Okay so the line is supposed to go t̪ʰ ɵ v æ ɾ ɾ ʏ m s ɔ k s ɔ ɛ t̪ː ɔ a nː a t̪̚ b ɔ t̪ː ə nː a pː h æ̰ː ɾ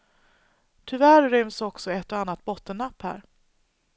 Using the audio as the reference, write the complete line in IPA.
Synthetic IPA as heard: t̪ʰ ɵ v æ ɾ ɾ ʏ m s ɔ k s ɔ ɛ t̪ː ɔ a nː a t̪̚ b ɔ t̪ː ə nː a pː h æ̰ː ɾ